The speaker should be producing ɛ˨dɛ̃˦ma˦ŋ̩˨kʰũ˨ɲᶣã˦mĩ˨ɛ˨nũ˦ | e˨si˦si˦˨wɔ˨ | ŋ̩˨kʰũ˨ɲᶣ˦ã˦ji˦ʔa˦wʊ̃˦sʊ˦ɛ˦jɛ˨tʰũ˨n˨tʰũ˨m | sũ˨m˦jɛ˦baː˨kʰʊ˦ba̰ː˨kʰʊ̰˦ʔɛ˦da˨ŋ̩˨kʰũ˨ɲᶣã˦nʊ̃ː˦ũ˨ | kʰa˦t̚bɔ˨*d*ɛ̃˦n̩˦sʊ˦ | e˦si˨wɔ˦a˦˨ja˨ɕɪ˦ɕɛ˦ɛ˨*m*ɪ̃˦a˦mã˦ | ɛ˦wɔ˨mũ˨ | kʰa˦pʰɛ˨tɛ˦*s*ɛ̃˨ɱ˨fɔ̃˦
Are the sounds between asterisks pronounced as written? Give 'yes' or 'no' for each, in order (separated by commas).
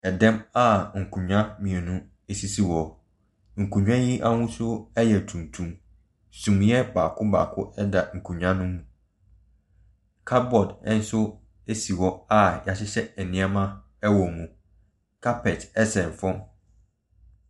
yes, no, yes